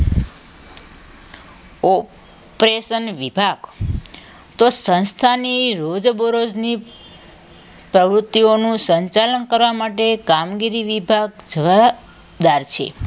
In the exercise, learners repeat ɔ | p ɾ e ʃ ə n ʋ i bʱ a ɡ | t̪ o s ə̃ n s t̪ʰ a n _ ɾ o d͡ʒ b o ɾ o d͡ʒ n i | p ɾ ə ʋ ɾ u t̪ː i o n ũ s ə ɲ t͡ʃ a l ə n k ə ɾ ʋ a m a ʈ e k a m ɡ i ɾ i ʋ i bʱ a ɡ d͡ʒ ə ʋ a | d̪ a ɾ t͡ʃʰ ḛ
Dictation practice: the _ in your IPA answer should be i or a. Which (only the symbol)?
i